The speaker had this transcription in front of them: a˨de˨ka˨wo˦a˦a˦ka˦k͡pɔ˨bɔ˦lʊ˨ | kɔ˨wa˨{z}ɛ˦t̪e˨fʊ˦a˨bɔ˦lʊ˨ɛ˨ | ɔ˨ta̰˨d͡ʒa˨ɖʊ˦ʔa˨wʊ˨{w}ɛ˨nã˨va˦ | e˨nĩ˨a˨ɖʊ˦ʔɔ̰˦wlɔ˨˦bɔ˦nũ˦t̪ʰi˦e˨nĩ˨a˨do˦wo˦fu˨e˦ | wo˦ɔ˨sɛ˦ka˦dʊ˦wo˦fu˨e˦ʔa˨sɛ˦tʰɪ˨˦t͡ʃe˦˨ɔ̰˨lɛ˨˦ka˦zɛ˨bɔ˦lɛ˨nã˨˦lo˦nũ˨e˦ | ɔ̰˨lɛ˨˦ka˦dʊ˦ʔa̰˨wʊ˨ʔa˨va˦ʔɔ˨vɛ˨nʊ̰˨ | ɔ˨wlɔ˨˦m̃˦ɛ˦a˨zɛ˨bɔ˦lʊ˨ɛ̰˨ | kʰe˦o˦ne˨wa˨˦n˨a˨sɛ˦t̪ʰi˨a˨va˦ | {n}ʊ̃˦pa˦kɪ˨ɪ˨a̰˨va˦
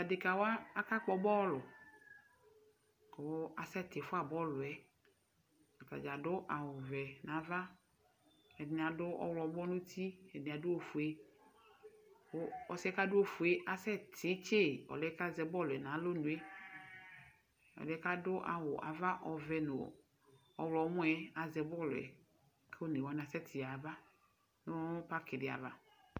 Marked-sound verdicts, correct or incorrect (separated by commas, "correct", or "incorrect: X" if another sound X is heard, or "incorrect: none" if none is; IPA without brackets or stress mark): incorrect: s, incorrect: v, correct